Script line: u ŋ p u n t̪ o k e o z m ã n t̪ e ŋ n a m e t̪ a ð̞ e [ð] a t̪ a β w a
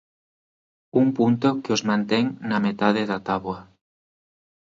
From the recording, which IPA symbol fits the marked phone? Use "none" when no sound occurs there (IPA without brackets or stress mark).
ð